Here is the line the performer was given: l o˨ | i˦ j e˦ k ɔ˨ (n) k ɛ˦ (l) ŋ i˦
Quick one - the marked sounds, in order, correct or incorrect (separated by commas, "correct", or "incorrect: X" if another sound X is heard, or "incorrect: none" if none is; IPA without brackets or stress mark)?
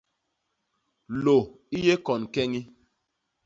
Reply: correct, incorrect: none